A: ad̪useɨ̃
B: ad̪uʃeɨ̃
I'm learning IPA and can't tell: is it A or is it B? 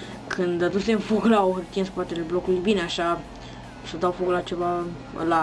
A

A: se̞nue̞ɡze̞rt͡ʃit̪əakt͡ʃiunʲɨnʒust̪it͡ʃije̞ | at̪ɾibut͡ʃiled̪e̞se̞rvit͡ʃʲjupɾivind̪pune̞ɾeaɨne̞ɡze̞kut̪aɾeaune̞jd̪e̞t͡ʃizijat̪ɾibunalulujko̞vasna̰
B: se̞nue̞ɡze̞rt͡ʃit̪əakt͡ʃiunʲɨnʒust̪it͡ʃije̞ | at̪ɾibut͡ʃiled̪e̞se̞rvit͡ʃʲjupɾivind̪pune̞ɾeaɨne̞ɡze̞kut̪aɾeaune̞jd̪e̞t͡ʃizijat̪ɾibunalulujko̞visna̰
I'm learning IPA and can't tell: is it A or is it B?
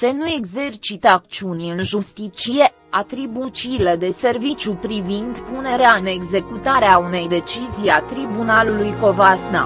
A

